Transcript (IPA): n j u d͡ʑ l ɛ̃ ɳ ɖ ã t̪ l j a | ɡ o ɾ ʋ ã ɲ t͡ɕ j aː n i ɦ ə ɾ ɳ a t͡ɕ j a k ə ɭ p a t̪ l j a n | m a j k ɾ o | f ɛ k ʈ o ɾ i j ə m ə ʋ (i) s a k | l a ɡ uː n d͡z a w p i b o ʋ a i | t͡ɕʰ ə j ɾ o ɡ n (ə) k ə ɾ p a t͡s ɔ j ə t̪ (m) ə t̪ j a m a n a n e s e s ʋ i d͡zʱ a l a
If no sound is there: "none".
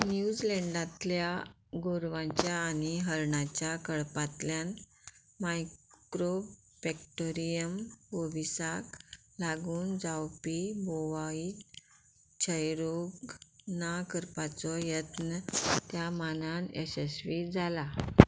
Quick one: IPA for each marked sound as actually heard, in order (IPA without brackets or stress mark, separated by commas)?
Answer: i, a, n